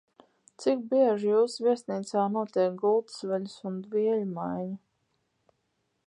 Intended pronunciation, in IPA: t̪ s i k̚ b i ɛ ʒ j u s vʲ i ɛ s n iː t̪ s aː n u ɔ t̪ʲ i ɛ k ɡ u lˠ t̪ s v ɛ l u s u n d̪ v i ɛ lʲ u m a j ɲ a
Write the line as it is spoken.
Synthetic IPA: t̪ s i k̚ b i ɛ ʒ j uː s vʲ i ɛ s n iː t̪ s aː n u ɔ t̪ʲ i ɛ k ɡ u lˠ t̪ s v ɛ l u s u n d̪ v i ɛ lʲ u m a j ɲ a